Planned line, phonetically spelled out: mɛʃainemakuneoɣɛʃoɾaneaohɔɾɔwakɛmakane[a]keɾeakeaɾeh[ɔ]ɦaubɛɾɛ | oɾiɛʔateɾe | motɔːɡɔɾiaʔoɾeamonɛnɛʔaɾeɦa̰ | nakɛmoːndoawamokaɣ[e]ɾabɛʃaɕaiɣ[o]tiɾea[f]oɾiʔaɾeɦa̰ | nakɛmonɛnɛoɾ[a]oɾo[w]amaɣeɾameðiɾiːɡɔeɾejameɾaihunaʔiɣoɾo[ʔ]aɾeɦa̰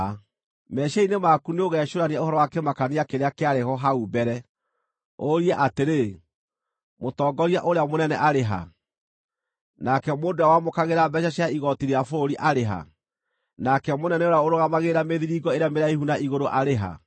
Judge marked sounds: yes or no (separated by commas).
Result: yes, yes, yes, no, yes, yes, no, yes